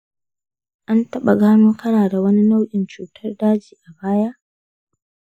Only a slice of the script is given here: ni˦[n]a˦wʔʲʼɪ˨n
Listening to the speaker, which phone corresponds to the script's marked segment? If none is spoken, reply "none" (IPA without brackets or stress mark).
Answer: n